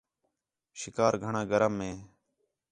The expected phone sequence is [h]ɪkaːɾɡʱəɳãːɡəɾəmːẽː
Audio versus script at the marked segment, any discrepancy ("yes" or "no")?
yes